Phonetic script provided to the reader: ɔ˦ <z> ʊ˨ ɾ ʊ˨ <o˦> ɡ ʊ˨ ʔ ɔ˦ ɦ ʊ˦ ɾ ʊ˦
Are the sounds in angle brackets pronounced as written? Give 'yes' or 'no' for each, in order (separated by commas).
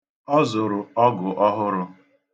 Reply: yes, no